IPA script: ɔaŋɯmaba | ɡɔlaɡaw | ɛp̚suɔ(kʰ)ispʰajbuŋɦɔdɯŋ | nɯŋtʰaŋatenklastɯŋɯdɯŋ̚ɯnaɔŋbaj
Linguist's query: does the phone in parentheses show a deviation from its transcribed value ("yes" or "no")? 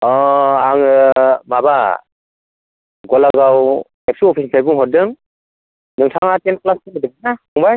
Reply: yes